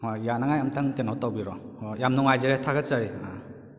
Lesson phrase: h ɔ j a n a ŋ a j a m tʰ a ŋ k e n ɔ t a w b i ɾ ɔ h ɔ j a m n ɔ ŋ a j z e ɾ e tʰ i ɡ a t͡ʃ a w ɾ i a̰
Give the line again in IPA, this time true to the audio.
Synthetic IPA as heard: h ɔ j a n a ŋ a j a m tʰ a ŋ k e n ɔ t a w b i ɾ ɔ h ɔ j a m n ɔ ŋ a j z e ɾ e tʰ a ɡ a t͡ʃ a ɾ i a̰